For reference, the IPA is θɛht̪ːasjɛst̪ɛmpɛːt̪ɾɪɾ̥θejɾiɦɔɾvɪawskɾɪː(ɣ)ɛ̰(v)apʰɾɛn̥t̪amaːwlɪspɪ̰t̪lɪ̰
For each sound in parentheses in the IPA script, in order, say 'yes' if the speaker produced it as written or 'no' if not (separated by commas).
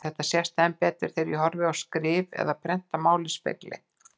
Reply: no, no